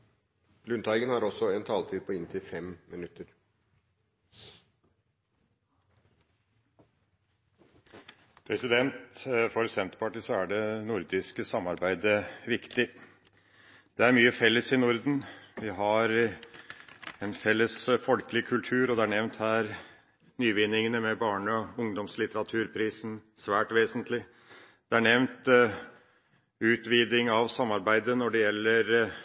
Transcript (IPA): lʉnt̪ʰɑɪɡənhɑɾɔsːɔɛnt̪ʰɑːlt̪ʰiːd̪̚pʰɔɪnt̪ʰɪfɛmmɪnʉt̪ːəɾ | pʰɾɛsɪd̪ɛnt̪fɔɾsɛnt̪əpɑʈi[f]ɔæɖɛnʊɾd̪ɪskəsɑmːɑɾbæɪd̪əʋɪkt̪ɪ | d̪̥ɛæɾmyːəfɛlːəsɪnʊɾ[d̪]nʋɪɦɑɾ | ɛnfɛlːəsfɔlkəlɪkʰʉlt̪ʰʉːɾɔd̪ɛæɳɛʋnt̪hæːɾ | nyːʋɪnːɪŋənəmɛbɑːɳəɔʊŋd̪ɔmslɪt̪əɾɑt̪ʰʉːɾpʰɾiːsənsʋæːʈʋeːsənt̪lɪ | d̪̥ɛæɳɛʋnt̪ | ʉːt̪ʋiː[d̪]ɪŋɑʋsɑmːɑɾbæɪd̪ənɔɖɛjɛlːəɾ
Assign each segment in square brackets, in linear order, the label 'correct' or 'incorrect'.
incorrect: s, correct, correct

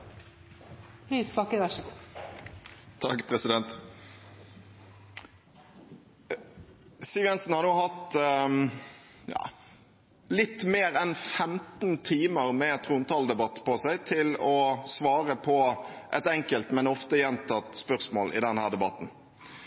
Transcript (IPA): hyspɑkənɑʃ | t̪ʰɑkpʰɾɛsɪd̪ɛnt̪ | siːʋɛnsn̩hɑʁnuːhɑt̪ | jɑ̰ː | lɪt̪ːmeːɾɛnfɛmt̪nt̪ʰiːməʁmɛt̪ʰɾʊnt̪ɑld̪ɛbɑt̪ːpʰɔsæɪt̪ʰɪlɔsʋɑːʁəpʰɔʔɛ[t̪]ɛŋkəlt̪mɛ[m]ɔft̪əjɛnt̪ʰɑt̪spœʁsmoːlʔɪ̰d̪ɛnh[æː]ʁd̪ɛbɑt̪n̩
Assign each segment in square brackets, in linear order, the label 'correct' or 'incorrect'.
correct, incorrect: n, correct

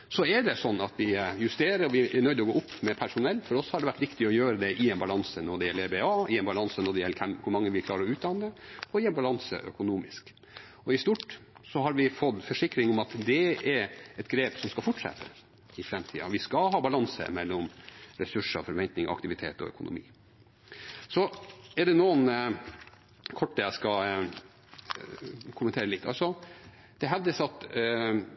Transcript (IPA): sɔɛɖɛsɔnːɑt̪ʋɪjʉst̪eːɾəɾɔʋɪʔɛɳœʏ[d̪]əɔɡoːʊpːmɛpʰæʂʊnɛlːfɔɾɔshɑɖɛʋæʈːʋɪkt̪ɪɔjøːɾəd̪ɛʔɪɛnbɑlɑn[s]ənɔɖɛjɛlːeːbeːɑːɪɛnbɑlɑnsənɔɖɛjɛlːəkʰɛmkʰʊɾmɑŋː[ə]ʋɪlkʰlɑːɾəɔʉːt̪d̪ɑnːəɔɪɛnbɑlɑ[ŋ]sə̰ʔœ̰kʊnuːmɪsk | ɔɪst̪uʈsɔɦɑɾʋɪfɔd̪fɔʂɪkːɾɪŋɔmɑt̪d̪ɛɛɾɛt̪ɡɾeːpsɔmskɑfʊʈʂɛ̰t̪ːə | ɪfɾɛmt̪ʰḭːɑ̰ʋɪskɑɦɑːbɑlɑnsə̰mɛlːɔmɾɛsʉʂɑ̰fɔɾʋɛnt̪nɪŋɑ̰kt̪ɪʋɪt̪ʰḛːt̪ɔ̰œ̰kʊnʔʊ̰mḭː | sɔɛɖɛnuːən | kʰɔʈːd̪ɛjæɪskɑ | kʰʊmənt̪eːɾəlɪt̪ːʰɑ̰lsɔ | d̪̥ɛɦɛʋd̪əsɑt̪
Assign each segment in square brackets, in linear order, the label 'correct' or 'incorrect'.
correct, correct, correct, incorrect: n

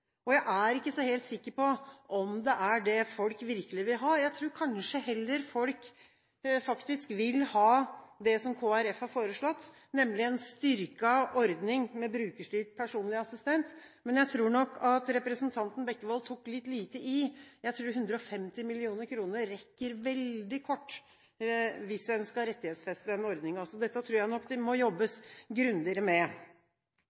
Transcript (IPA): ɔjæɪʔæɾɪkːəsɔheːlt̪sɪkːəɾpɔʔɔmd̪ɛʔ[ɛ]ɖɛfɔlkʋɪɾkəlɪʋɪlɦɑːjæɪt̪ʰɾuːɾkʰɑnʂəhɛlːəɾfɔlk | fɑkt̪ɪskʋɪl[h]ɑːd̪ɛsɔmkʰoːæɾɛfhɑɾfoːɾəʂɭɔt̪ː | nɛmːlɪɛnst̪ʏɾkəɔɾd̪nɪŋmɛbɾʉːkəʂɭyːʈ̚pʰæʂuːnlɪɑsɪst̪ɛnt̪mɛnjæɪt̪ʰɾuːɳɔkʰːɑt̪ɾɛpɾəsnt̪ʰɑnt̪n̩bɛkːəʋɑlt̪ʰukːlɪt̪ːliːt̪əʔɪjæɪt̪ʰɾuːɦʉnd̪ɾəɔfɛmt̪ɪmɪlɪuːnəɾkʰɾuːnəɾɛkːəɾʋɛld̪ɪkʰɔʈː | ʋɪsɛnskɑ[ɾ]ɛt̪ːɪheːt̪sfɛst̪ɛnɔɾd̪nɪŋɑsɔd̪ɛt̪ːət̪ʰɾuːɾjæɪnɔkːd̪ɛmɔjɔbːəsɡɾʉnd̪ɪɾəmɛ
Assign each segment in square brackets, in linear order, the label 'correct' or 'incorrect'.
incorrect: æ, correct, correct

